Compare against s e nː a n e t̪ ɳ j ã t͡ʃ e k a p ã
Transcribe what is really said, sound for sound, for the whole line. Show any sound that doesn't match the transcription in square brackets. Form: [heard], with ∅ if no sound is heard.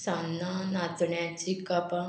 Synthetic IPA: s [a] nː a n [a] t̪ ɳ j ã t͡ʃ [i] k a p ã